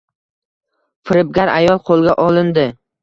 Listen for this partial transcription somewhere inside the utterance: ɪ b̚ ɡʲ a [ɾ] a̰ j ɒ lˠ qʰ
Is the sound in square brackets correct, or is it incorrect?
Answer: correct